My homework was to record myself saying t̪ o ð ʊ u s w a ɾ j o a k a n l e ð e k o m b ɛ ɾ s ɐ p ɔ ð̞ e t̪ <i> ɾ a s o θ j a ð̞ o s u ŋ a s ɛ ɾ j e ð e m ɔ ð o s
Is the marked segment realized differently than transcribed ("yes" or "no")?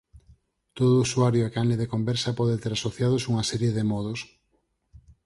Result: yes